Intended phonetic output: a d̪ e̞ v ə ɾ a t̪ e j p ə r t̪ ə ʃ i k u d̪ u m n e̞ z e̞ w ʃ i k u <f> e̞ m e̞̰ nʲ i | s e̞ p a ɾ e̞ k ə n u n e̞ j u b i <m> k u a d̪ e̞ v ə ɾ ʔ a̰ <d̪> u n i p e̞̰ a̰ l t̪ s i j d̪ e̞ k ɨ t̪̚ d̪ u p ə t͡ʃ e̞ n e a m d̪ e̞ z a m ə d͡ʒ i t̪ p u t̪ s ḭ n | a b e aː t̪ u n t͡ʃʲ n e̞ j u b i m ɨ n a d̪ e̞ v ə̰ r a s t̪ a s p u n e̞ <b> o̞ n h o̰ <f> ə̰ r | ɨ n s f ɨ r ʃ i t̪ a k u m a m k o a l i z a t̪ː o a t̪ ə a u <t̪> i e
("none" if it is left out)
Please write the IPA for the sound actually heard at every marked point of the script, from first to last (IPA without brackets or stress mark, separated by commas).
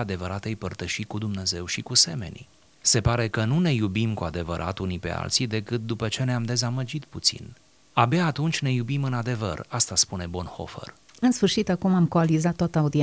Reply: s, m, t̪, b, f, d̪